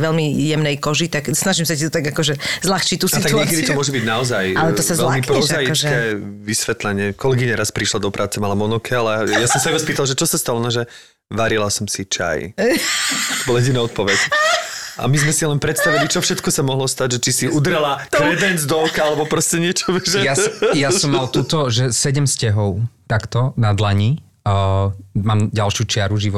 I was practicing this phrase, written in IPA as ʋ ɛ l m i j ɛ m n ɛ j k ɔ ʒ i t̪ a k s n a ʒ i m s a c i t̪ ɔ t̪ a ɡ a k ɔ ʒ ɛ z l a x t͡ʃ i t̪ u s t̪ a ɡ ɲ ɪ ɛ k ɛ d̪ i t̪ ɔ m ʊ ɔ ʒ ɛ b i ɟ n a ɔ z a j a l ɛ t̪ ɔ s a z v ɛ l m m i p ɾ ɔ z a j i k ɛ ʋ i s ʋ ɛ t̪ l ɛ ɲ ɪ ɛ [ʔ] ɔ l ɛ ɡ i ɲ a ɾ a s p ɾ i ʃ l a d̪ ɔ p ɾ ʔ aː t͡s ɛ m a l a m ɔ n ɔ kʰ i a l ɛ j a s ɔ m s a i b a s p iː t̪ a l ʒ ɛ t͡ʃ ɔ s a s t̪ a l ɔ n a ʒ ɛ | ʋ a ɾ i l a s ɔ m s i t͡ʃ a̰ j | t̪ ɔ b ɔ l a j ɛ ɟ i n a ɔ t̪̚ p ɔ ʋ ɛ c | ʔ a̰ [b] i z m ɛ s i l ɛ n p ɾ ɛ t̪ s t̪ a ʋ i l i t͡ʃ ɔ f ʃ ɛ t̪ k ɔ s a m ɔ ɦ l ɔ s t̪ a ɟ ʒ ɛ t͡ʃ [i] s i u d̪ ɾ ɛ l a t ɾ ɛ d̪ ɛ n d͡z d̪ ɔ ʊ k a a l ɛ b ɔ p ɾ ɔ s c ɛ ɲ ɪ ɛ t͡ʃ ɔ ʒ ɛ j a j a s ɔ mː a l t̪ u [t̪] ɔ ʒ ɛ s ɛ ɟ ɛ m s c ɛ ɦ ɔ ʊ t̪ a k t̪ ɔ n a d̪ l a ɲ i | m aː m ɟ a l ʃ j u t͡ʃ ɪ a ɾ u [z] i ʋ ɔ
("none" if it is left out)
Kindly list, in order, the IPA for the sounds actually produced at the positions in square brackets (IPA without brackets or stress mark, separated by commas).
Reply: k, m, i, t̪, ʒ